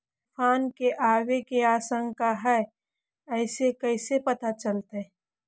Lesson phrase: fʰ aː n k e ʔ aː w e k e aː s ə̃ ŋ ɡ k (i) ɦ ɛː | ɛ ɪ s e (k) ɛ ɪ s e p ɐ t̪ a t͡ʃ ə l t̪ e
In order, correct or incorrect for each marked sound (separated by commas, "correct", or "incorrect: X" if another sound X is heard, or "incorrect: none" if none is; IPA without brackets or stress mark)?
incorrect: a, correct